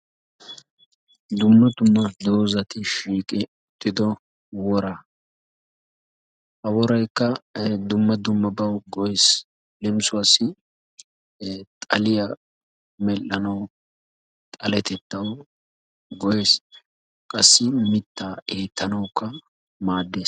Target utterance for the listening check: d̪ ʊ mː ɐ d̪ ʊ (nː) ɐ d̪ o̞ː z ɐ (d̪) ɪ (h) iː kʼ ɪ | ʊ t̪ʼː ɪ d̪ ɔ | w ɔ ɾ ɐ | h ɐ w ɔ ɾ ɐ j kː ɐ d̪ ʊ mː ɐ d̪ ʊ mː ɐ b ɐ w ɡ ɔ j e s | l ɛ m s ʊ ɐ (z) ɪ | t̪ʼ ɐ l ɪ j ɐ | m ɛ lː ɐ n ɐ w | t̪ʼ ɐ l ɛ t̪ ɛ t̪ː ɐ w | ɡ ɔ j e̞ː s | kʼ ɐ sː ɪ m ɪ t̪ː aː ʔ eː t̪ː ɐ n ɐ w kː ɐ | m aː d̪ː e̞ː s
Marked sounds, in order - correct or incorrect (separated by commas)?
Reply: incorrect, incorrect, incorrect, incorrect